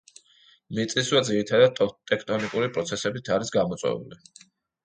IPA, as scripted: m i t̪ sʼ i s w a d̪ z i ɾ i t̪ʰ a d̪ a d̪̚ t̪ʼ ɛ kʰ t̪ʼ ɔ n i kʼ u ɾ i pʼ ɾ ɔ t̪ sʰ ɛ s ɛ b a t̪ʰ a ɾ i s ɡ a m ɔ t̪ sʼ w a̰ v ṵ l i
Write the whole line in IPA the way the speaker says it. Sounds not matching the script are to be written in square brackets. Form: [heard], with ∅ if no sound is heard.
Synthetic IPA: m i t̪ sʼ i s w a d̪ z i ɾ i t̪ʰ a d̪ a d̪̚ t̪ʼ ɛ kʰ t̪ʼ ɔ n i kʼ u ɾ i pʼ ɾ ɔ t̪ sʰ ɛ s ɛ b [i] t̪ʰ a ɾ i s ɡ a m ɔ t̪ sʼ w [ɛ̰] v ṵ l i